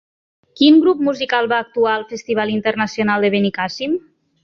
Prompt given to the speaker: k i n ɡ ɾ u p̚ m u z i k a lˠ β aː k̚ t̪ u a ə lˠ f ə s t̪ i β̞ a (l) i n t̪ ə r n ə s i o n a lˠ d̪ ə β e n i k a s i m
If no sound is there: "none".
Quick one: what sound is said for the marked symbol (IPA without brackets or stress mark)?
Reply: l